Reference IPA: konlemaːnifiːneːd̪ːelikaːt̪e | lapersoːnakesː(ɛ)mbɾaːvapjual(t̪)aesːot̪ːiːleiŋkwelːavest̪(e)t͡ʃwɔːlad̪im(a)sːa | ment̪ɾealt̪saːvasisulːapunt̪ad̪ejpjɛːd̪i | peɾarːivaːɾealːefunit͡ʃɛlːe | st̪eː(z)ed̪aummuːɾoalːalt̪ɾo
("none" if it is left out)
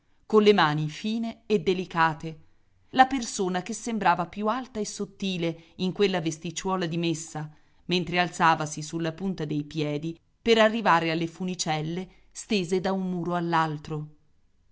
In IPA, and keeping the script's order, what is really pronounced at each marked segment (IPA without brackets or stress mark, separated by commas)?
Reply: e, t̪, i, e, z